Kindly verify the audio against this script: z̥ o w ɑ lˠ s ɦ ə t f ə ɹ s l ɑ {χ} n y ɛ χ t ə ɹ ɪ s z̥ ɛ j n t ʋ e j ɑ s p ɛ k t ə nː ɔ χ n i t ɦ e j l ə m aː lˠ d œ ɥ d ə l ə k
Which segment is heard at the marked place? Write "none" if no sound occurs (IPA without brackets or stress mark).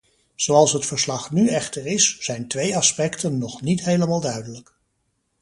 χ